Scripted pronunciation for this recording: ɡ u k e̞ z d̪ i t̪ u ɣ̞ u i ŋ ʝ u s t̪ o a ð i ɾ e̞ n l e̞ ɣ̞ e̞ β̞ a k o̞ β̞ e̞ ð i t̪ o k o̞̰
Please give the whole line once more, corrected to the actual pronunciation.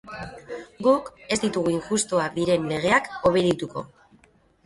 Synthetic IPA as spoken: ɡ u k e̞ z d̪ i t̪ u ɣ̞ u i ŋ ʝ u s t̪ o a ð i ɾ e̞ n l e̞ ɣ̞ e̞ a k o̞ β̞ e̞ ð i t̪ u k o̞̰